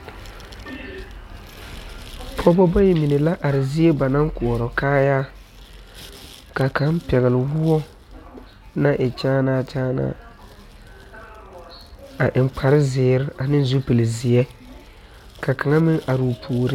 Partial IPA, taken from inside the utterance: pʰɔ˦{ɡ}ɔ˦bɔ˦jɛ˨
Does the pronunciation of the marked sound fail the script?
yes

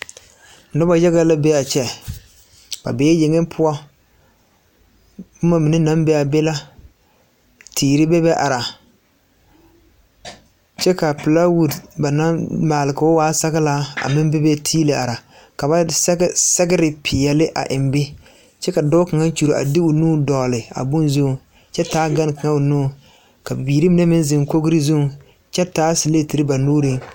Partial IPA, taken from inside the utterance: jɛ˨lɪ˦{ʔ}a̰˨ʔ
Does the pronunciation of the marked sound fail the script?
no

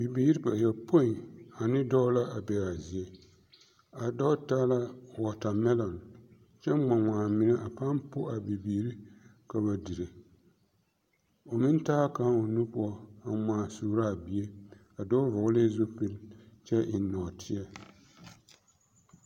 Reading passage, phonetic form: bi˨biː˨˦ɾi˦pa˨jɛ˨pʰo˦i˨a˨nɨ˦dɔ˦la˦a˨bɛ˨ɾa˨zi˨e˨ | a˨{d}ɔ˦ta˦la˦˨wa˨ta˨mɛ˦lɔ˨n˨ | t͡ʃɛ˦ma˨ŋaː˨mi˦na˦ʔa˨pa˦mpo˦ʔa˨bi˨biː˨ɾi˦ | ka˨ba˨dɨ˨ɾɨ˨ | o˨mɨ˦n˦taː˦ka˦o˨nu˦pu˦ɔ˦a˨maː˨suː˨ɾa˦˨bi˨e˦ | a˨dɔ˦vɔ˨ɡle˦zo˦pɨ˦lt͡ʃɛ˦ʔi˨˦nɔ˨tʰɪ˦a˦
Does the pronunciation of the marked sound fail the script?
no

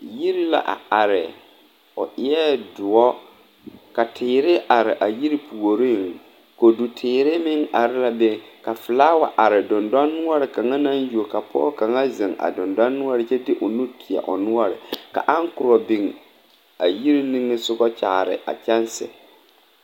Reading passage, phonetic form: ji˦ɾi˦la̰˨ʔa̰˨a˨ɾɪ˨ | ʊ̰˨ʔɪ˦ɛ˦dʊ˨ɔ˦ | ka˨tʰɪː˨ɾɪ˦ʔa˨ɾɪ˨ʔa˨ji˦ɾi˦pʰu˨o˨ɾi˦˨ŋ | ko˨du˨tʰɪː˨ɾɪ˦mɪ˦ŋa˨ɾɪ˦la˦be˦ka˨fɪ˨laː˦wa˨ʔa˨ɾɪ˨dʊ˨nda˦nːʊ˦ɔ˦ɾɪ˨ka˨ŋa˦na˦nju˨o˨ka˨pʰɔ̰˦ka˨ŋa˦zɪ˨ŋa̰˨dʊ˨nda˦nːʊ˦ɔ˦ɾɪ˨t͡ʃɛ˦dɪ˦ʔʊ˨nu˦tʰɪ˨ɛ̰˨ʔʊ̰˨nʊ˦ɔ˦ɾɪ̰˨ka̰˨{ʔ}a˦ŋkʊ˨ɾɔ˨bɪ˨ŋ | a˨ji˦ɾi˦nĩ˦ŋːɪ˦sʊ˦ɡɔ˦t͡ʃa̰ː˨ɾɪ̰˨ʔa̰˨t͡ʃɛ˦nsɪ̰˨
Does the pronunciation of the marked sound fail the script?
no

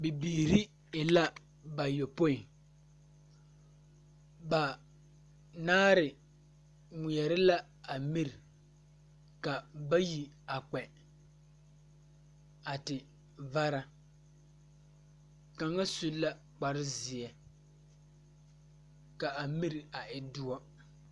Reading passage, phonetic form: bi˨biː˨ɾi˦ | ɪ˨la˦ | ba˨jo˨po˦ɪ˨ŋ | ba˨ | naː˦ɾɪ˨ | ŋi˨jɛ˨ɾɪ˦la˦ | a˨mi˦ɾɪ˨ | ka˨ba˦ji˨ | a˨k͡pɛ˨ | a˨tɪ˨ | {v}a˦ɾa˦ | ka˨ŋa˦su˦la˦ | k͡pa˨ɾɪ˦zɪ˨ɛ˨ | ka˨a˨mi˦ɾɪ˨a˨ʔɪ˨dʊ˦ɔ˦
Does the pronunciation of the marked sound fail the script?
no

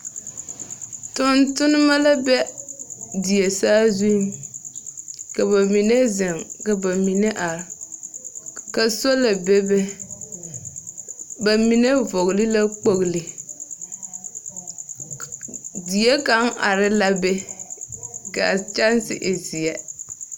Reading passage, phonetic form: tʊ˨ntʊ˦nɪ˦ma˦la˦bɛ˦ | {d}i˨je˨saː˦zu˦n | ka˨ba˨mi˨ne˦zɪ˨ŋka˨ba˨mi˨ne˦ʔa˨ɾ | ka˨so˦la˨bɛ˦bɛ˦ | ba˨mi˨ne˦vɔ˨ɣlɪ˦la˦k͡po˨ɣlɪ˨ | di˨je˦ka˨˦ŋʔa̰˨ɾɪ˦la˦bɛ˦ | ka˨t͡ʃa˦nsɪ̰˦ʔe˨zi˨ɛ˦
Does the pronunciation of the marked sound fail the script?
no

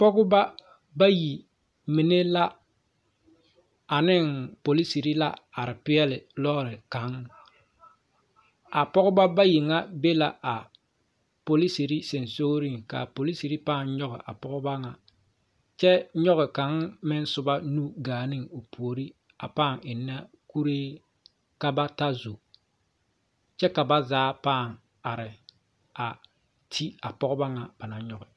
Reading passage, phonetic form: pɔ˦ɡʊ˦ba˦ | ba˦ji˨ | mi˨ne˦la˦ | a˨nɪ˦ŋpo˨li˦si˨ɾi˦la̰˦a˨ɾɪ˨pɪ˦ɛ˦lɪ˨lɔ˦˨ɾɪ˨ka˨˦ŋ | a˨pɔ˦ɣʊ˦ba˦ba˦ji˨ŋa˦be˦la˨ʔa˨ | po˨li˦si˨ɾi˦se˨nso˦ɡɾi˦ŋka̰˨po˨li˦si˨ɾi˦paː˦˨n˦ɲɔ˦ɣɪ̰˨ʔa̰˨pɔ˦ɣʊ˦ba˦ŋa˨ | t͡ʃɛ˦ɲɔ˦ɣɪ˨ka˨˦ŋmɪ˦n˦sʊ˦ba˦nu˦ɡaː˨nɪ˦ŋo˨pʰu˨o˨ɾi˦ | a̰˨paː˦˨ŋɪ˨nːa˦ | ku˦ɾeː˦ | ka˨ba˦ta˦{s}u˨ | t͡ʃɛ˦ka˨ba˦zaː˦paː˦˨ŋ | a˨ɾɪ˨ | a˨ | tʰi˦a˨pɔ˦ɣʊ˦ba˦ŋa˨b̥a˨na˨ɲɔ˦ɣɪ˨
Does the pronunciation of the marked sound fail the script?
yes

